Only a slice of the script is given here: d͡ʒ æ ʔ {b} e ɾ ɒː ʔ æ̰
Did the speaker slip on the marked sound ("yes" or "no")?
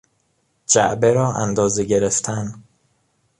no